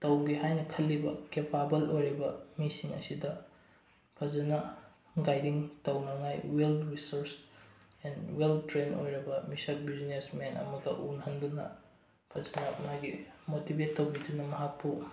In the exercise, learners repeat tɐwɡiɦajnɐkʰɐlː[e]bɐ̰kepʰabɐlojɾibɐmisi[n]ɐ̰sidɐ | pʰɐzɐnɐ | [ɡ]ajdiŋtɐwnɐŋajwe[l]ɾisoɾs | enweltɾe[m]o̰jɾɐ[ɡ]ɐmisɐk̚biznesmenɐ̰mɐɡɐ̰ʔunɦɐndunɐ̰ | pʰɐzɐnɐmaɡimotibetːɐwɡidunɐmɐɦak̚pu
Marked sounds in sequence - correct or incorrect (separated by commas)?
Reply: incorrect, incorrect, correct, correct, incorrect, incorrect